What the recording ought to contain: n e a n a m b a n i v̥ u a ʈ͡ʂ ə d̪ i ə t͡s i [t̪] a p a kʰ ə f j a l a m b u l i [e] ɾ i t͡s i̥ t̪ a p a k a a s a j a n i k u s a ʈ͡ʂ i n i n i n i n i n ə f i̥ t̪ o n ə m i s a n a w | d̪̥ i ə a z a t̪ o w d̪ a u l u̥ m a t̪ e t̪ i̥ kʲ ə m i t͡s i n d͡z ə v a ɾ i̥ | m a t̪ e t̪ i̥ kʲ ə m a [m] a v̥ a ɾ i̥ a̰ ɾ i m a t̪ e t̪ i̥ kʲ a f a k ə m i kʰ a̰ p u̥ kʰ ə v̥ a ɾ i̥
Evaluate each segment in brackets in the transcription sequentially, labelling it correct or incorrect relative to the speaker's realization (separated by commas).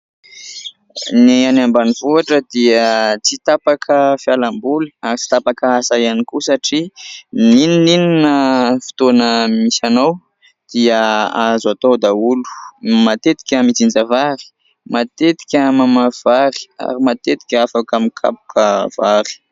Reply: correct, incorrect, correct